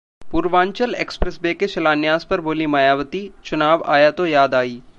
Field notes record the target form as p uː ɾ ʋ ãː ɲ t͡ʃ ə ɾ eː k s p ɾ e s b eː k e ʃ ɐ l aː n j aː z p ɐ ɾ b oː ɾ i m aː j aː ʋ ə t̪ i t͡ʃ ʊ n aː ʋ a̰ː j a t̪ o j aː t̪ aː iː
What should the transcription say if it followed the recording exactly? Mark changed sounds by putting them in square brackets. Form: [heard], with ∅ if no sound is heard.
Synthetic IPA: p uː ɾ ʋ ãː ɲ t͡ʃ ə [l] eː k s p ɾ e s b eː k e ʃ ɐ l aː n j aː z p ɐ ɾ b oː [l] i m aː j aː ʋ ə t̪ i t͡ʃ ʊ n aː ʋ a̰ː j a t̪ o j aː [d̪] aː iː